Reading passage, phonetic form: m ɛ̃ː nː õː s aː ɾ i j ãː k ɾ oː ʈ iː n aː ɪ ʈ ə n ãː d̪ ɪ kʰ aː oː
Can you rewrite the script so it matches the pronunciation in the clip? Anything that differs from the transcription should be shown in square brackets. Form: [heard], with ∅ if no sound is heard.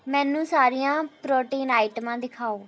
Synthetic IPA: m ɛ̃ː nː [ũː] s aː ɾ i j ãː [p] ɾ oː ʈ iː n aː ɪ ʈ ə [m] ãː d̪ ɪ kʰ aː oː